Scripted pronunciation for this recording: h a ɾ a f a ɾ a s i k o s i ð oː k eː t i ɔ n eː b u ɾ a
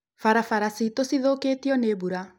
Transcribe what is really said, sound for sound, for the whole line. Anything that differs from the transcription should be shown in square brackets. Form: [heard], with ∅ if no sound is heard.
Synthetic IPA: [f] a ɾ a f a ɾ a s i [t] o s i ð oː k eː t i ɔ n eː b u ɾ a